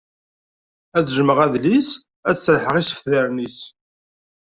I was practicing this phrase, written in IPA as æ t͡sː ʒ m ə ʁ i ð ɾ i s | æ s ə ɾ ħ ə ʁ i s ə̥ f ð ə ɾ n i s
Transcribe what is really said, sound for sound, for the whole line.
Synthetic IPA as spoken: æ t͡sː ʒ m ə ʁ æ ð l i s | æ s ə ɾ ħ ə ʁ i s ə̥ f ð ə ɾ n i s

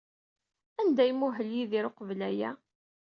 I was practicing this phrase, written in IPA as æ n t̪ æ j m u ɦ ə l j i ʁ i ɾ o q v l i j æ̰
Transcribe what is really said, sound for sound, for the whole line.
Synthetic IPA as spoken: æ n d̪ æ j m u ɦ ə l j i ð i ɾ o q v l æ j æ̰

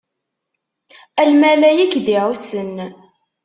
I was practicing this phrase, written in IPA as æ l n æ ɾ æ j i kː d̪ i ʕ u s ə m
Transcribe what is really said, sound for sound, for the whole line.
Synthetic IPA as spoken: æ l m æ l æ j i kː d̪ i ʕ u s ə n

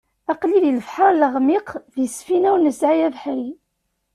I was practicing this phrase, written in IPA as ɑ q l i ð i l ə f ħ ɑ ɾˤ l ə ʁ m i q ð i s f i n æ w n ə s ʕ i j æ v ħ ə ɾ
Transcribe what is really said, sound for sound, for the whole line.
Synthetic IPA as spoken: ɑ q l i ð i l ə f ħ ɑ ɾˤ l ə ʁ m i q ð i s f i n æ w n ə s ʕ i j æ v ħ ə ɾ

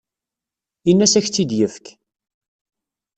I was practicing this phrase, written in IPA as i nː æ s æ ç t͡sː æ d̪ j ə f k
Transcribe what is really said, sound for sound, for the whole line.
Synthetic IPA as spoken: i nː æ s æ ç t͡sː i d̪ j ə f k

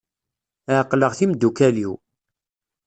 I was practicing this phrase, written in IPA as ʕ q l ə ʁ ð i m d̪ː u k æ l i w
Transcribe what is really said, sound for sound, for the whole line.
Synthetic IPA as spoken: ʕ q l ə ʁ θ i m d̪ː u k æ l i w

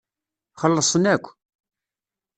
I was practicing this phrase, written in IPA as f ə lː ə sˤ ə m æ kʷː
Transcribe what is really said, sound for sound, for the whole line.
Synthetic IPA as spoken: χ ə lː ə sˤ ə n æ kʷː

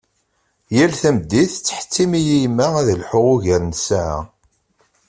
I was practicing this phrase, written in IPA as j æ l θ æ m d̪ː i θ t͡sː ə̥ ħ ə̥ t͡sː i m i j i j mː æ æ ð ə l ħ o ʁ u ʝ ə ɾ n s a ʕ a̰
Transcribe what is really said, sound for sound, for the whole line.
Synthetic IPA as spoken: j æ l θ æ m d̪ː i θ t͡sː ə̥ ħ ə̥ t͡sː i m i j i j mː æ æ ð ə l ħ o ʁ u ʝ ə ɾ n s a ʕ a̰

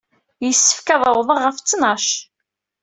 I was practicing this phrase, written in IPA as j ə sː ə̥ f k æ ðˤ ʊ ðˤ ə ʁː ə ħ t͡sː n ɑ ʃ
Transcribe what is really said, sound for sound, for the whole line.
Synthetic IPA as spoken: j ə sː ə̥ f k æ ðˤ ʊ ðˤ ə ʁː ə f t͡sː n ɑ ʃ

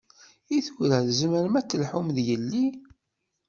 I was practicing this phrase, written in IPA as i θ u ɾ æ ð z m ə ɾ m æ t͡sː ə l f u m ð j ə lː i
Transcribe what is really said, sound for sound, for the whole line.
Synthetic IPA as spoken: i θ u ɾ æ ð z m ə ɾ m æ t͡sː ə l ħ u m ð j ə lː i

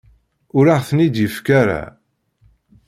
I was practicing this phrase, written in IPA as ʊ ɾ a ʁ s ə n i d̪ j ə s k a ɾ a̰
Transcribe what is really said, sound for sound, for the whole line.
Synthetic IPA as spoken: ʊ ɾ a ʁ θ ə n i d̪ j ə f k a ɾ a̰

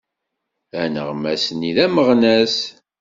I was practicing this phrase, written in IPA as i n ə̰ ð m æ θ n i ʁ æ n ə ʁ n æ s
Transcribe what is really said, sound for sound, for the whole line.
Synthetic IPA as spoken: æ n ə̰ ʁ m æ s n i ð æ m ə ʁ n æ s

